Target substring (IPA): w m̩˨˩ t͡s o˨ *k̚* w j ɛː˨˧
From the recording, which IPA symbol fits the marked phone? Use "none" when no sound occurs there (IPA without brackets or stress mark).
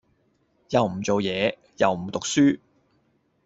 none